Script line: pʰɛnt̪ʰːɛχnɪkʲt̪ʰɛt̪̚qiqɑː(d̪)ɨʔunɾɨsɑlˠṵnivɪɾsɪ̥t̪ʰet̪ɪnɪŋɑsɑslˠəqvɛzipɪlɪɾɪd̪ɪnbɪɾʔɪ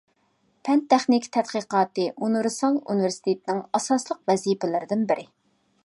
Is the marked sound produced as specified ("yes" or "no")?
no